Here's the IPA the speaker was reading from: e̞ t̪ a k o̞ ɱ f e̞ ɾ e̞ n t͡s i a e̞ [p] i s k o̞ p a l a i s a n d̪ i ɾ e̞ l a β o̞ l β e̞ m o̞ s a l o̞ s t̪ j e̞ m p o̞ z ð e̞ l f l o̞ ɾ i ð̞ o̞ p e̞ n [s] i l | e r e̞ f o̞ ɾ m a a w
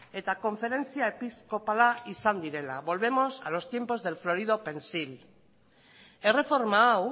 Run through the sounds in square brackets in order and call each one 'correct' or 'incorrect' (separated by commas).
correct, correct